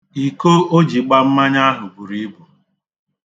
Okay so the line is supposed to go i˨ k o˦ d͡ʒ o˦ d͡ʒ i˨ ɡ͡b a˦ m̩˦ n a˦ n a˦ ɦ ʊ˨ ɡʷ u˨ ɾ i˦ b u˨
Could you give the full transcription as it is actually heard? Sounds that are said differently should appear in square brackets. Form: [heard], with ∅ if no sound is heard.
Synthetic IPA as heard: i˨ k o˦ [∅] o˦ d͡ʒ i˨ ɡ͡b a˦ m̩˦ [m] a˦ [ɲ] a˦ ɦ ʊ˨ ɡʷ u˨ ɾ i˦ b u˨